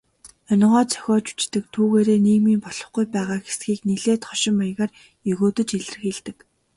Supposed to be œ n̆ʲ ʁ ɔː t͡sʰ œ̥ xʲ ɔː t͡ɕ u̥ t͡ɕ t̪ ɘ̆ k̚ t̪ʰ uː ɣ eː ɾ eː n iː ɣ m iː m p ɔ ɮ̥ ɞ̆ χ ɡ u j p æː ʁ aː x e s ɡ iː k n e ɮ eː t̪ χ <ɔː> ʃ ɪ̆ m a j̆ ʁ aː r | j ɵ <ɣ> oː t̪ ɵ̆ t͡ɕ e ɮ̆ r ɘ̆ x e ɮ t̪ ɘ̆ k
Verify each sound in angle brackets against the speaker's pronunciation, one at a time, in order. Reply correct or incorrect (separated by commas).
incorrect, correct